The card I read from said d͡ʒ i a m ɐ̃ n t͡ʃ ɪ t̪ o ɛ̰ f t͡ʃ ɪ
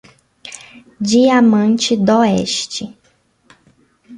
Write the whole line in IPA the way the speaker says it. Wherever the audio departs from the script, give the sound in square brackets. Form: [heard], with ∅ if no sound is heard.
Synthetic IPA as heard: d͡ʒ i a m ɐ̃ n t͡ʃ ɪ [d̪] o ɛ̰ [ʃ] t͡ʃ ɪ